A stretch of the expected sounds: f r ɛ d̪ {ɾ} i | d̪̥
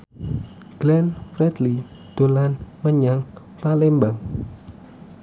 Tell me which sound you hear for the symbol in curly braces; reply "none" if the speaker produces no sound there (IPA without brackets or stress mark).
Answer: l